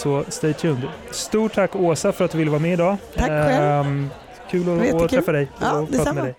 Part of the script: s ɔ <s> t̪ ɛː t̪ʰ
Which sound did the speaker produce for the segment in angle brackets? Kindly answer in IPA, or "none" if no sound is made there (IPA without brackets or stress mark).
s